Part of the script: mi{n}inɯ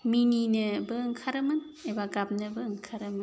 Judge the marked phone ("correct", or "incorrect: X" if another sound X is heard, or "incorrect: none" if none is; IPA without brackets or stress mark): correct